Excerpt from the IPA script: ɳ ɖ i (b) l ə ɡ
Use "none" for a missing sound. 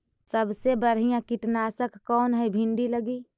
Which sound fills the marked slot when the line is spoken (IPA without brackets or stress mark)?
none